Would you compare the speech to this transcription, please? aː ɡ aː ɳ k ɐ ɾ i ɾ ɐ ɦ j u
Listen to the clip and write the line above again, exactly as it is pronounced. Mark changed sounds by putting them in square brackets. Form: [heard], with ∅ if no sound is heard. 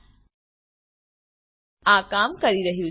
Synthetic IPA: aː [k] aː [m] k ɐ ɾ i ɾ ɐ ɦ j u